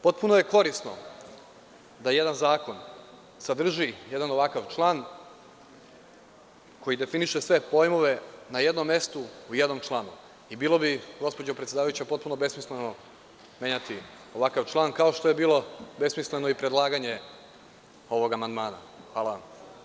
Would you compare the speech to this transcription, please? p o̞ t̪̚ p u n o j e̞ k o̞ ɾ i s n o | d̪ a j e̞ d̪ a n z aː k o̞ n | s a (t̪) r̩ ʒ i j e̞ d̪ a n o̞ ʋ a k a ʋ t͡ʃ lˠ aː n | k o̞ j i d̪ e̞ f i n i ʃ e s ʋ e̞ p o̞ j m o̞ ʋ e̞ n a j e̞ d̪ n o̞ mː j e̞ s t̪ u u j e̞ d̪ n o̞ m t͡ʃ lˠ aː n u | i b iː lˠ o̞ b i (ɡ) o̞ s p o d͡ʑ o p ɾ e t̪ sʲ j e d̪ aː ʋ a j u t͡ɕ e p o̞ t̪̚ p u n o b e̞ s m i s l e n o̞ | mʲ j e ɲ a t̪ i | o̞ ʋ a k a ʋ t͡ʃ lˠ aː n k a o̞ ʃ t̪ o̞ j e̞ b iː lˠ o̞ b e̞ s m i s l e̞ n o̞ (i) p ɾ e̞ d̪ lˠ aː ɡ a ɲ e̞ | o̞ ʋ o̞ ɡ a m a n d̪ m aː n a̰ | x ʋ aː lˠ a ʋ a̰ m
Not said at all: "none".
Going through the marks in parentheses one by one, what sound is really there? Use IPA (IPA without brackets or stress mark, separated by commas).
d̪, ɡ, i